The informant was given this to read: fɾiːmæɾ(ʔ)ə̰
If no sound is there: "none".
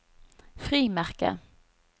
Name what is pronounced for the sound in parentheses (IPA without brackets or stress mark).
k